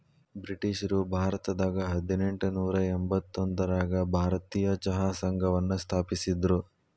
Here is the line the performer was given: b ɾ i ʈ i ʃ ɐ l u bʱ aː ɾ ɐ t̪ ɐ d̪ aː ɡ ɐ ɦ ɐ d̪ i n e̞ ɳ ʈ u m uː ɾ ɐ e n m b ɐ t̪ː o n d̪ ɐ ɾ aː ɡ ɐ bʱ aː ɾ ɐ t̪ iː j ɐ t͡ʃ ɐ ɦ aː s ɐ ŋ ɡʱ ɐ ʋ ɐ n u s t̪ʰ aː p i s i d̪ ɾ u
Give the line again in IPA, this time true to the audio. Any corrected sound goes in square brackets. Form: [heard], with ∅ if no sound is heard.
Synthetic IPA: b ɾ i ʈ i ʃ ɐ [ɾ] u bʱ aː ɾ ɐ t̪ ɐ d̪ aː ɡ ɐ ɦ ɐ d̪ i n e̞ ɳ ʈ u [n] uː ɾ ɐ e [∅] m b ɐ t̪ː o n d̪ ɐ ɾ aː ɡ ɐ bʱ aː ɾ ɐ t̪ iː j ɐ t͡ʃ ɐ ɦ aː s ɐ ŋ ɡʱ ɐ ʋ ɐ [nː] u s t̪ʰ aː p i s i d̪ ɾ u